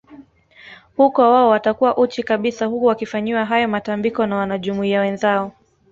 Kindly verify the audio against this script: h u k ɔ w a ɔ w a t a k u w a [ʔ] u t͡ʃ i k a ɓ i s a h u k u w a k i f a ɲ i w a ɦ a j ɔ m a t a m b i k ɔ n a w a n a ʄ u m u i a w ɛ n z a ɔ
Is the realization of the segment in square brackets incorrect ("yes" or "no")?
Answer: no